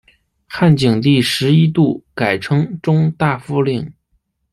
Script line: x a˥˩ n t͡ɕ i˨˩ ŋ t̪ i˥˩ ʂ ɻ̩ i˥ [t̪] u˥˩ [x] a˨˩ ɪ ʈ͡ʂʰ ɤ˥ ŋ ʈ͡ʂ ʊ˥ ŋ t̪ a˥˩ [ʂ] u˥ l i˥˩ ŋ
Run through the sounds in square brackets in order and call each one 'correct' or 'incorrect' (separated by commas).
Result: correct, incorrect, incorrect